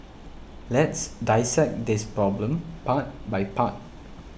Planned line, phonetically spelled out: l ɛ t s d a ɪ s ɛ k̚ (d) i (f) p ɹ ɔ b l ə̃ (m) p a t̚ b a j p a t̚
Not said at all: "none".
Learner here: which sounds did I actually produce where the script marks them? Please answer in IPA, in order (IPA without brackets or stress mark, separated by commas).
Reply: d, s, m